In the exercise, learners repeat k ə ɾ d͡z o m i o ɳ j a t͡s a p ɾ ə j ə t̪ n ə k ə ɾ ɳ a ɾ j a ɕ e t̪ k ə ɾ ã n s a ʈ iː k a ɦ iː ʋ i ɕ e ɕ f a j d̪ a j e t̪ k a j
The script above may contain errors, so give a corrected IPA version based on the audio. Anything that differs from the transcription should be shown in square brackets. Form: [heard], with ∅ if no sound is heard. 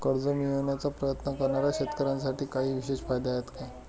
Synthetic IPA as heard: k ə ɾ d͡z o m i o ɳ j a t͡s a p ɾ ə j ə t̪ n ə k ə ɾ ɳ a ɾ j a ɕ e t̪ k ə ɾ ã n s a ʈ iː k a ɦ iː ʋ i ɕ e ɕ f a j d̪ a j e t̪ k a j